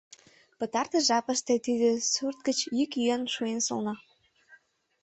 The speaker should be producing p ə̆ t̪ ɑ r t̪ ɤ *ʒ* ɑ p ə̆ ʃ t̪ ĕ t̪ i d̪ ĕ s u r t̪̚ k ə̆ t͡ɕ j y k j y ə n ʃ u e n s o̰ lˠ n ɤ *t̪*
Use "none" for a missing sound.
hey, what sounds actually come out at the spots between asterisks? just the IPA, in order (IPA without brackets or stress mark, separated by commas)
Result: ʒ, none